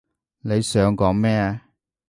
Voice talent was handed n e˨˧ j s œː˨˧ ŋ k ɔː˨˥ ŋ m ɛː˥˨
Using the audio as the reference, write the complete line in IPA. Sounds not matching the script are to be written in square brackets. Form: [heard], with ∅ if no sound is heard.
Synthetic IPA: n e˨˧ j s œː˨˧ ŋ k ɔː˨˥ ŋ m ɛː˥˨